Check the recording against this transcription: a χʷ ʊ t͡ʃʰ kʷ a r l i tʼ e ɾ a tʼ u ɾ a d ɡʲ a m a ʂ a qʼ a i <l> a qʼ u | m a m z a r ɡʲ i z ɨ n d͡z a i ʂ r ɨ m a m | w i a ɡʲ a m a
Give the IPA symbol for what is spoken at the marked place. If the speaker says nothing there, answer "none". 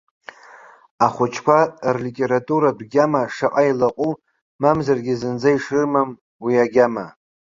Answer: l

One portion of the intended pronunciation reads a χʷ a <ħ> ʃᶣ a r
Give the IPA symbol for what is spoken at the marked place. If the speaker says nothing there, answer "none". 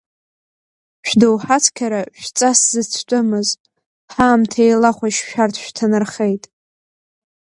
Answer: ʃ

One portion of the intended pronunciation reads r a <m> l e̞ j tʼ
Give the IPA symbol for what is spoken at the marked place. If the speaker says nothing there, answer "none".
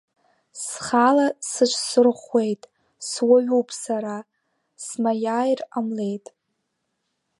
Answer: m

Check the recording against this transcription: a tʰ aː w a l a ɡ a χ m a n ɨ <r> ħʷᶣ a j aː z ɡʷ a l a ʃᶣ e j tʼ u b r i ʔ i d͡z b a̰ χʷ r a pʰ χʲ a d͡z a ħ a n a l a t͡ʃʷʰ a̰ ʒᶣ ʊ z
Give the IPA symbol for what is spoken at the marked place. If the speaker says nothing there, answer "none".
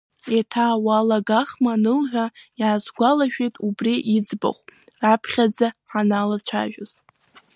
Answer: l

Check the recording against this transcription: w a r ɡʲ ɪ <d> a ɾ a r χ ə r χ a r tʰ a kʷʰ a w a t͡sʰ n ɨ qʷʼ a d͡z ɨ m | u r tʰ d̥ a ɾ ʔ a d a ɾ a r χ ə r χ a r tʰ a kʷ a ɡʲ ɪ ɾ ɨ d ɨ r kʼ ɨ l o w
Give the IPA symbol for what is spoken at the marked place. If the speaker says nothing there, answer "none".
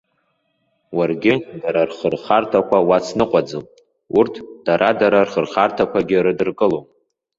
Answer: d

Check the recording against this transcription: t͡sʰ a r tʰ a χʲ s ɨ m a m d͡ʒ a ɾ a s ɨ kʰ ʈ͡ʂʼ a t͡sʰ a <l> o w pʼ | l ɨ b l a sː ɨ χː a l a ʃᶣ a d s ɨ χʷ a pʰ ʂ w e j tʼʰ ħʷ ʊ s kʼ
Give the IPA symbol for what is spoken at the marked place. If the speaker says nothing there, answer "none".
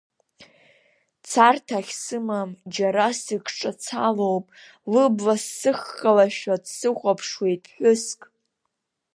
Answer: l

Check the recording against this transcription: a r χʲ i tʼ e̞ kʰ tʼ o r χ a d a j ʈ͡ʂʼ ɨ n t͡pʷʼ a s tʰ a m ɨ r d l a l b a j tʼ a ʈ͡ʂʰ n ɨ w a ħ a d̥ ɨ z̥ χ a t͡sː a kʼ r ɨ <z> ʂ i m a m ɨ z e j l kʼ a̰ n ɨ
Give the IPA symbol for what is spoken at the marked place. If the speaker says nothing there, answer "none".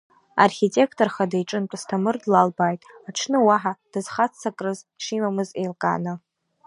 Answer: z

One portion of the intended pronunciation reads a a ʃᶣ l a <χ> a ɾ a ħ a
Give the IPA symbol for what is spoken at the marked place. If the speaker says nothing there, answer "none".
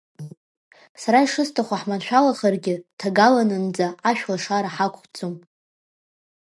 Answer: ʂ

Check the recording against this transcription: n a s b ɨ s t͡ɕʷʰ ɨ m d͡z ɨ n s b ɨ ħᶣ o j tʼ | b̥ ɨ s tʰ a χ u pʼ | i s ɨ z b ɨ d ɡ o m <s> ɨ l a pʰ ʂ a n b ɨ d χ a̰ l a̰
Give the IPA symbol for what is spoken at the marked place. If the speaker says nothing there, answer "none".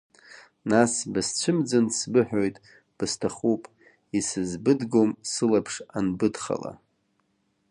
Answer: s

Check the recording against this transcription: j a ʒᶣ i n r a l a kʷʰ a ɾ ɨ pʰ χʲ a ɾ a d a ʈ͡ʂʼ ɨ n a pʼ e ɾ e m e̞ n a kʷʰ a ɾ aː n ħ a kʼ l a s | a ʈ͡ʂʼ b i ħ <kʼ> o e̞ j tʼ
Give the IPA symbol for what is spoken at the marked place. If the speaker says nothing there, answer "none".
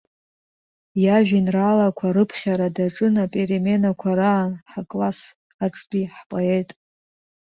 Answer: pʼ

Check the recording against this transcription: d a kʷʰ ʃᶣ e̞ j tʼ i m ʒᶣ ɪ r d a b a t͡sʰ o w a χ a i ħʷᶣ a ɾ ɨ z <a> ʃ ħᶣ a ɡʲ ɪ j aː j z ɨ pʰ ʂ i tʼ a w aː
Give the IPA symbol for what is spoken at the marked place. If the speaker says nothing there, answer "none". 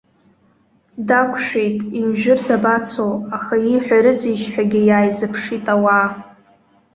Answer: i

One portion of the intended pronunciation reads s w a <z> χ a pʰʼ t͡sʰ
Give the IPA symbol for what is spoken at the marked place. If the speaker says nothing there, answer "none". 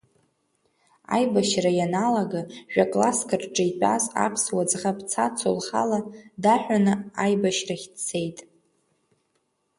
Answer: d͡z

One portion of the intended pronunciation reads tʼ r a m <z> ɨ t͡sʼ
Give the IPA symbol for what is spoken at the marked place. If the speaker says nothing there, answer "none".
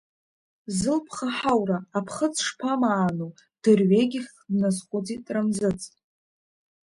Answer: z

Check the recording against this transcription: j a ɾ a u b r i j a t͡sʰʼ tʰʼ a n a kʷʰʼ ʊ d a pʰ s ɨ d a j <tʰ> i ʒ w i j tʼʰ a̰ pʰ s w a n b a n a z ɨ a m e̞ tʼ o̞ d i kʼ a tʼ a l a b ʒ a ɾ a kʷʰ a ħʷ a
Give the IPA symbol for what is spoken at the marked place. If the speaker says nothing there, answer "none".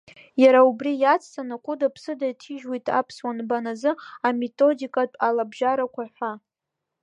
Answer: tʰ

